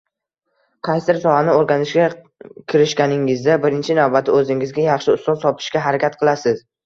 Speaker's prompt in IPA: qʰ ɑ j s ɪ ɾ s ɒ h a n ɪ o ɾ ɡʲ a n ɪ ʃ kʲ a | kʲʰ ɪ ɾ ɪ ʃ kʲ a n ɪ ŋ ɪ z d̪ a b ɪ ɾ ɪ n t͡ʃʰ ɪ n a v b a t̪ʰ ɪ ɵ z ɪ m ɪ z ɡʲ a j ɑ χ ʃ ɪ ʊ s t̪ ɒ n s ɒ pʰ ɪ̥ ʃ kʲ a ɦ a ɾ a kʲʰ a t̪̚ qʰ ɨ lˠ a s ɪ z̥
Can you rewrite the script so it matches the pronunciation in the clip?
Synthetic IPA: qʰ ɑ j s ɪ ɾ s ɒ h a n ɪ o ɾ ɡʲ a n ɪ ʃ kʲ a | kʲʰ ɪ ɾ ɪ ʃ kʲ a n ɪ ŋ ɪ z d̪ a b ɪ ɾ ɪ n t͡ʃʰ ɪ n a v b a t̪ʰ ɪ ɵ z ɪ ŋ ɪ z ɡʲ a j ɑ χ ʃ ɪ ʊ s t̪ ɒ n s ɒ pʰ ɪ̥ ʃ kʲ a ɦ a ɾ a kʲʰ a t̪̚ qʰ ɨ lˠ a s ɪ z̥